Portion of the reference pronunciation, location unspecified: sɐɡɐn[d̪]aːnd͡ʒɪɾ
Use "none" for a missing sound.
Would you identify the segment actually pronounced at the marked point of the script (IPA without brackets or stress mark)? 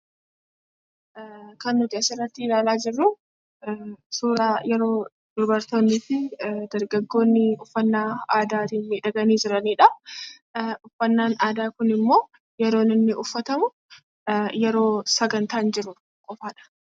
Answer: t̪